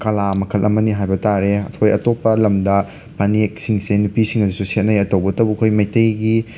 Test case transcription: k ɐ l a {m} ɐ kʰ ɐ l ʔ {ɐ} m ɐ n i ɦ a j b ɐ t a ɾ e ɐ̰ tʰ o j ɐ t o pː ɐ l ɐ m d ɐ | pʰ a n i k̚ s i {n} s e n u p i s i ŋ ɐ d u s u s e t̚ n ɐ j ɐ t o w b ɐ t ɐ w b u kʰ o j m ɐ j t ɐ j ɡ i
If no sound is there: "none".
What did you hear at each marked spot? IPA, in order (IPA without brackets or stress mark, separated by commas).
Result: m, ɐ, ŋ